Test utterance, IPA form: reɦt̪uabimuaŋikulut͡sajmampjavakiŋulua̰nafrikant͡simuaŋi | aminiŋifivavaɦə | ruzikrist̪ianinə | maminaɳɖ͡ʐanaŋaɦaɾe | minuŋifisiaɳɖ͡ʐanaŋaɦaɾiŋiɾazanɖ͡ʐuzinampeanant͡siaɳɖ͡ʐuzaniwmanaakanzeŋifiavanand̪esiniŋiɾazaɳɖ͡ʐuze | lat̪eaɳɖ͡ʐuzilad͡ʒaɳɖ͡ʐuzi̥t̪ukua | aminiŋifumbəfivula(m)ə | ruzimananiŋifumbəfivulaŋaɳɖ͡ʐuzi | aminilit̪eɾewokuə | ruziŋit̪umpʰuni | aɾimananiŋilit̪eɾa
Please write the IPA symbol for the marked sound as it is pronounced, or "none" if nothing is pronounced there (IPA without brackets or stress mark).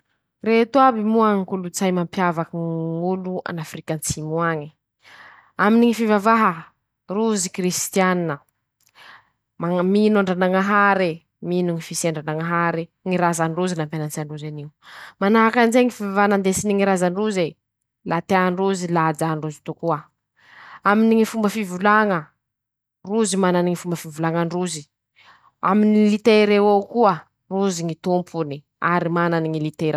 ŋ